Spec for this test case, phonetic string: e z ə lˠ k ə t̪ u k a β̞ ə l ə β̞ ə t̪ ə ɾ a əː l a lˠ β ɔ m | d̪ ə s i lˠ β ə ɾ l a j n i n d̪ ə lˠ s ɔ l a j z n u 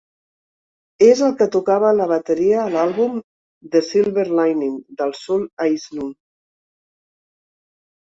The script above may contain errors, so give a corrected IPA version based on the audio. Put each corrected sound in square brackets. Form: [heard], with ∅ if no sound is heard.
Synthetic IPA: e z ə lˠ k ə t̪ u k a β̞ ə l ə β̞ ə t̪ ə ɾ [i] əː l a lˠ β [u] m | d̪ ə s i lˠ β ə ɾ l a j n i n d̪ ə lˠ s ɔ l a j z n u